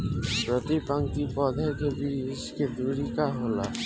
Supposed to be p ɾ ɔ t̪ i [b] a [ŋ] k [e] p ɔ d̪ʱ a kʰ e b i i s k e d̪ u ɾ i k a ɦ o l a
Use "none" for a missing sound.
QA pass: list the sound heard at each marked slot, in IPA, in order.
p, ŋ, i

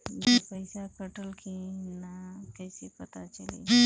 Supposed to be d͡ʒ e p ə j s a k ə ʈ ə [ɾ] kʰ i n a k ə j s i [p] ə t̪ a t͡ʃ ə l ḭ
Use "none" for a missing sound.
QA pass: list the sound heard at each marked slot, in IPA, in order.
l, p

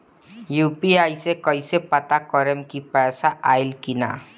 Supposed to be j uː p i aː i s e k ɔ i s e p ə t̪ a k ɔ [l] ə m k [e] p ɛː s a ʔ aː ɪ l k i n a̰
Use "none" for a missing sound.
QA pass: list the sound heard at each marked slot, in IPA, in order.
ɾ, i

